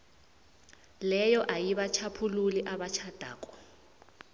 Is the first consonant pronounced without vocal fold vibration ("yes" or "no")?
no